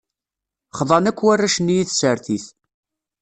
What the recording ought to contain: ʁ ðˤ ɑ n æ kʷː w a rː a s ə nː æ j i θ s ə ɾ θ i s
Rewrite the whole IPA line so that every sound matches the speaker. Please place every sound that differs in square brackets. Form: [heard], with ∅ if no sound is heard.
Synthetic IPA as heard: [χ] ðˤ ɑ n æ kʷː w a rː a [ʃ] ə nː [i] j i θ s ə ɾ θ i [θ]